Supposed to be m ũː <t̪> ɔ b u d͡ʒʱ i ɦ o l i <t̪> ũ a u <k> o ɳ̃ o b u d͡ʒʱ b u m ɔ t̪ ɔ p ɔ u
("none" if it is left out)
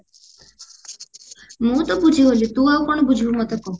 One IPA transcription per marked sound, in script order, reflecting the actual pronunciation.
t̪, t̪, k

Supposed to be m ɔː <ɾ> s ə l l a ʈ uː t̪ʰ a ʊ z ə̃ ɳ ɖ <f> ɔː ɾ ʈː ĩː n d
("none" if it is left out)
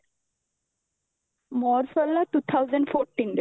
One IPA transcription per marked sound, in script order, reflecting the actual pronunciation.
ɾ, f

